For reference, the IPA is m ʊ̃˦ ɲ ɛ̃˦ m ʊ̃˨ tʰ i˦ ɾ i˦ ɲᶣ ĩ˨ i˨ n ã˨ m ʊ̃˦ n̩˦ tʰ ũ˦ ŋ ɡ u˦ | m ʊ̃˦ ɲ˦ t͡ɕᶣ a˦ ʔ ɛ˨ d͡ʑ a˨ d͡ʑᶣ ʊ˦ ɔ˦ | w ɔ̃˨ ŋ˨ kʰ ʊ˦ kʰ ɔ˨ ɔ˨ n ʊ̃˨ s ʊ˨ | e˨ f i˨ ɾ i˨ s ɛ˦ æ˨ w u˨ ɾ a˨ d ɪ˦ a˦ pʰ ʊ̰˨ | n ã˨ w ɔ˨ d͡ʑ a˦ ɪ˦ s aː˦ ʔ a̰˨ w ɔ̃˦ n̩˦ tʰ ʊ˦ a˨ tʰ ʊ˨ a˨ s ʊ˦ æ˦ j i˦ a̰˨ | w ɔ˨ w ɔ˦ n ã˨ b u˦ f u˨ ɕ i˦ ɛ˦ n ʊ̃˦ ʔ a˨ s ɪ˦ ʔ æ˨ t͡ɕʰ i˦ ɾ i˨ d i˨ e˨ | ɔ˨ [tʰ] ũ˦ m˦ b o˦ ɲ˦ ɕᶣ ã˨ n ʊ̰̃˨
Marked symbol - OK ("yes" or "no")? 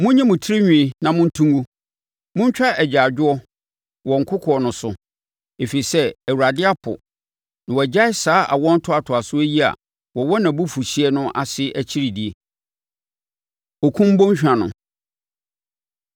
no